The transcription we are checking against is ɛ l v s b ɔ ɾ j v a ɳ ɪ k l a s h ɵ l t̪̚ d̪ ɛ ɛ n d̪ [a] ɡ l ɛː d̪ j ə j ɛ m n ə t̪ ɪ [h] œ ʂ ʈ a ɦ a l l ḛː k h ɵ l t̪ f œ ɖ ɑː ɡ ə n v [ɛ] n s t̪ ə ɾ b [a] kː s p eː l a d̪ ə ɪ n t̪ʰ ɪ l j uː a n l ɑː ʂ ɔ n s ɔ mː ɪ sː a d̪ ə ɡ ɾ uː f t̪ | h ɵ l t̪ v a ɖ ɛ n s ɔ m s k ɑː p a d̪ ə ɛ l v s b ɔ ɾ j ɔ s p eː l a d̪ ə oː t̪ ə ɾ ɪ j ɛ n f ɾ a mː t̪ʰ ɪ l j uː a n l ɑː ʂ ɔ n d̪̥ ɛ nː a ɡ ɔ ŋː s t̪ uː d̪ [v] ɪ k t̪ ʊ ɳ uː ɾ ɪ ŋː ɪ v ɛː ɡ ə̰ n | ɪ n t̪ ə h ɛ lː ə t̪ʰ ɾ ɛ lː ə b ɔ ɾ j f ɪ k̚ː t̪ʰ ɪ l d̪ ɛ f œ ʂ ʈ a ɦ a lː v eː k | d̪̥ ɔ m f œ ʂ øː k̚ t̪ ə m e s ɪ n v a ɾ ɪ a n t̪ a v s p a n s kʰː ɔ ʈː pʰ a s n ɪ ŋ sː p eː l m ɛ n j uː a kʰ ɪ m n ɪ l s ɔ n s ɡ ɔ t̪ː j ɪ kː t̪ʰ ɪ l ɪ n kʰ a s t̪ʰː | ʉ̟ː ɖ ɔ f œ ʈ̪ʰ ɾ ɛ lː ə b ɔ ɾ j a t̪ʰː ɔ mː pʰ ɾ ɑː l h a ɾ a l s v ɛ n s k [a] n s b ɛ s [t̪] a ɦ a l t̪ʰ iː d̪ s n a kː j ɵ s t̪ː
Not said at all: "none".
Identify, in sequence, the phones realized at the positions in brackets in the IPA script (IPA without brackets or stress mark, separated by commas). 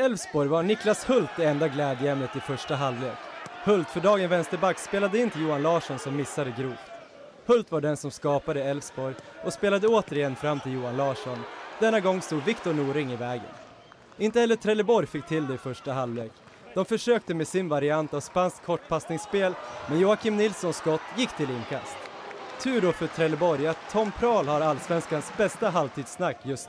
a, f, ɛ, a, v, a, t̪